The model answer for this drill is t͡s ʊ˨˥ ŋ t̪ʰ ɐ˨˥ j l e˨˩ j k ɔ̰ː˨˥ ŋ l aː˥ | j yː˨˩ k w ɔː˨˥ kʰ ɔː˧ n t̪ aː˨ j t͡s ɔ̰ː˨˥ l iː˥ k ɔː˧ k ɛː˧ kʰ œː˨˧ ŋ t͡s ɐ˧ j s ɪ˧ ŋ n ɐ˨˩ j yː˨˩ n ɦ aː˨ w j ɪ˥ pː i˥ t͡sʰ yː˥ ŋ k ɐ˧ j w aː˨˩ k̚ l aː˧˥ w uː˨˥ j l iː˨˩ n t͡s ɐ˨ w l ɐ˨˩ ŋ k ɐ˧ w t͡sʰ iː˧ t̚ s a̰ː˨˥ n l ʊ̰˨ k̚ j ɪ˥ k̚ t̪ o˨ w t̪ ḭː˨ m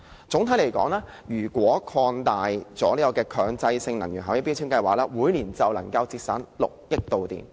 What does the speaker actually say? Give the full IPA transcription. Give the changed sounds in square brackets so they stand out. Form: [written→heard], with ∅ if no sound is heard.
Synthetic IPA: t͡s ʊ˨˥ ŋ t̪ʰ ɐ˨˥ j l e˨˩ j k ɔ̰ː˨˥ ŋ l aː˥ | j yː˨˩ k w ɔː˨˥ kʰ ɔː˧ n t̪ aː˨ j t͡s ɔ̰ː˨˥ l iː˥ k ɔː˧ k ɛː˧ kʰ œː˨˧ ŋ t͡s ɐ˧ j s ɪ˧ ŋ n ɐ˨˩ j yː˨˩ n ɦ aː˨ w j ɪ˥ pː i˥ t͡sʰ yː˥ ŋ k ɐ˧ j w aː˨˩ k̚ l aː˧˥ w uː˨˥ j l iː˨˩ n t͡s ɐ˨ w l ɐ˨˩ ŋ k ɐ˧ w [t͡sʰ→t͡s] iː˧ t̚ s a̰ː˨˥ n l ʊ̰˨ k̚ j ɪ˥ k̚ t̪ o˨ w t̪ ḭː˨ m